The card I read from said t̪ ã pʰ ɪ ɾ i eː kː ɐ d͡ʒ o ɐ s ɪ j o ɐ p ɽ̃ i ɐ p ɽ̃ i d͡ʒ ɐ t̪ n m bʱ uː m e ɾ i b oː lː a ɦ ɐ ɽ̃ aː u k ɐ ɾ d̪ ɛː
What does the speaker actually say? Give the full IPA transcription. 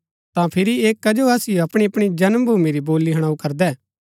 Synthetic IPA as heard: t̪ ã pʰ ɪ ɾ i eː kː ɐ d͡ʒ o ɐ s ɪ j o ɐ p ɽ̃ i ɐ p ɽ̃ i d͡ʒ ɐ n m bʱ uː m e ɾ i b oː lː i ɦ ɐ ɽ̃ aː u k ɐ ɾ d̪ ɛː

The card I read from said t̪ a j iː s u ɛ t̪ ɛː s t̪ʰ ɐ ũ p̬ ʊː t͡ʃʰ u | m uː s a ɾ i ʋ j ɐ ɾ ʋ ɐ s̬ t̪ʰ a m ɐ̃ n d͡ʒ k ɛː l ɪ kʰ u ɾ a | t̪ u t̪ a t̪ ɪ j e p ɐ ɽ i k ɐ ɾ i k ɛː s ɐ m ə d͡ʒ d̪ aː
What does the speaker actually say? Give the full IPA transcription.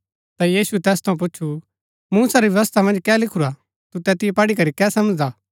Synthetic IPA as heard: t̪ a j iː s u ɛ t̪ ɛː s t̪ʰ ɐ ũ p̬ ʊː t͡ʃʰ u | m uː s a ɾ i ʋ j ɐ ʋ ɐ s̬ t̪ʰ a m ɐ̃ n d͡ʒ k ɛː l ɪ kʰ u ɾ a | t̪ u t̪ ɛ t̪ ɪ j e p ɐ ɽ i k ɐ ɾ i k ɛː s ɐ m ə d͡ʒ d̪ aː

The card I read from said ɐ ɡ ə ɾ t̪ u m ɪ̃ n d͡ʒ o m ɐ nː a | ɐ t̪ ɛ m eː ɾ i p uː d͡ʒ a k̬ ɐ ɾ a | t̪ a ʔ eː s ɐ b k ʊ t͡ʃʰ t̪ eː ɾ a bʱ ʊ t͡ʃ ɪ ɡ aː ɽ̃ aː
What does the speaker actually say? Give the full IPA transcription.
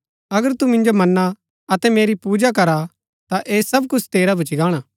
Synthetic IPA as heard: ɐ ɡ ə ɾ t̪ u m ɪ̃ n d͡ʒ o m ɐ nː a | ɐ t̪ ɛ m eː ɾ i p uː d͡ʒ a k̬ ɐ ɾ a | t̪ a ʔ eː s ɐ b k ʊ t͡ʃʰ t̪ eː ɾ a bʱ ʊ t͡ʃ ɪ ɡ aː ɽ̃ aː

